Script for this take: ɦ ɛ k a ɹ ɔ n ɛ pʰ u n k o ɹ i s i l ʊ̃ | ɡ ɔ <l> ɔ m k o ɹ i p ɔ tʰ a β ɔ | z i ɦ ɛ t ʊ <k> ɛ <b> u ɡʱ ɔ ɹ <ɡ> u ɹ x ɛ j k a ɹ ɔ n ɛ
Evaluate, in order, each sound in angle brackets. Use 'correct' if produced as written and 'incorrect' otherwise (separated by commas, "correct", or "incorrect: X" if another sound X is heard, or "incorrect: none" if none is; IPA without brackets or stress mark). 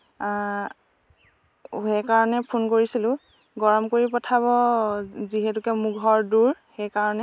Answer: incorrect: ɹ, correct, incorrect: m, incorrect: d